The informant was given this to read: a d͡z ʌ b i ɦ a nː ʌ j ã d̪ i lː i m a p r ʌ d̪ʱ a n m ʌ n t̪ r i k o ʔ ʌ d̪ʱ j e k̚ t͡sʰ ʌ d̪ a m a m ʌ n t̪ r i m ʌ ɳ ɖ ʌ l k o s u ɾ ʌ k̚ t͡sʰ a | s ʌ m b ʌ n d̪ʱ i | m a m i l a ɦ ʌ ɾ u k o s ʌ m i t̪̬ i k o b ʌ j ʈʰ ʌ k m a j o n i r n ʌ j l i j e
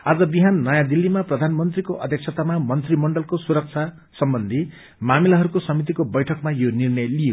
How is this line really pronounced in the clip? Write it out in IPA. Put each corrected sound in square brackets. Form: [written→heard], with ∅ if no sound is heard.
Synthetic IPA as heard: a d͡z ʌ b i ɦ a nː ʌ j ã d̪ i lː i m a p r ʌ d̪ʱ a n m ʌ n t̪ r i k o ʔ ʌ d̪ʱ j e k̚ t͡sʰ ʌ [d̪→t̪] a m a m ʌ n t̪ r i m ʌ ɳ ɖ ʌ l k o s u ɾ ʌ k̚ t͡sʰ a | s ʌ m b ʌ n d̪ʱ i | m a m i l a ɦ ʌ ɾ u k o s ʌ m i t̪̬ i k o b ʌ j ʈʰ ʌ k m a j o n i r n ʌ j l i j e